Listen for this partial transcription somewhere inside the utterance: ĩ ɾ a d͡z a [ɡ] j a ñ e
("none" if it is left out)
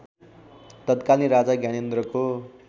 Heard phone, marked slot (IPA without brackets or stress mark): ɡ